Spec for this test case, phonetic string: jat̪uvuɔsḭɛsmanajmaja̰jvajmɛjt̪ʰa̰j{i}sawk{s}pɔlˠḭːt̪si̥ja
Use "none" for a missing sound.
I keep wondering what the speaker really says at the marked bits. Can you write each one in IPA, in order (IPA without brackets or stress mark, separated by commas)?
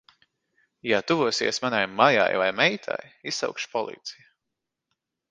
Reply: i, ʃ